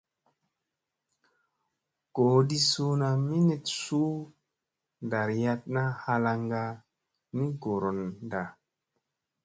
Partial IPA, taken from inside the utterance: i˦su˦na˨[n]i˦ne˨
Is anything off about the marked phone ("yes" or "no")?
yes